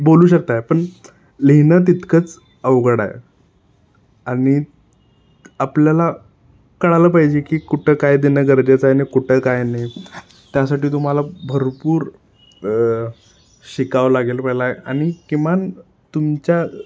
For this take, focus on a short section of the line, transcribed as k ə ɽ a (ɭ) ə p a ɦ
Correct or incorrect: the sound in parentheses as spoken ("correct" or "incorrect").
incorrect